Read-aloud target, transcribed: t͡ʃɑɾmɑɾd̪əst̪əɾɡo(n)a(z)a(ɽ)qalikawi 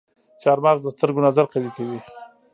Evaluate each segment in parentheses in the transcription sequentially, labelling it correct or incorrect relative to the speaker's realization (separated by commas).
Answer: correct, correct, incorrect